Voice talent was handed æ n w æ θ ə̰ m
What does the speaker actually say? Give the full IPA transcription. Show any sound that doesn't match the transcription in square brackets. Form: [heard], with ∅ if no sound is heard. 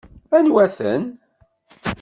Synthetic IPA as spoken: æ n w æ θ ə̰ [n]